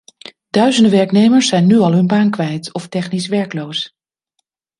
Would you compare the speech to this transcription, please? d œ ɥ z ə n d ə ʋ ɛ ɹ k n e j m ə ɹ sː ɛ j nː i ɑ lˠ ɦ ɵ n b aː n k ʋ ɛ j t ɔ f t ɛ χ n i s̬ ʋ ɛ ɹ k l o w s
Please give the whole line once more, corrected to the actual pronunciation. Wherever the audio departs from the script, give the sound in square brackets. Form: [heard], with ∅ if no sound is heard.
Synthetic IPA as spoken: d œ ɥ z ə n d ə ʋ ɛ ɹ k n e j m ə ɹ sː ɛ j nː [y] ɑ lˠ ɦ ɵ n b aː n k ʋ ɛ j t ɔ f t ɛ χ n i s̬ ʋ ɛ ɹ k l o w s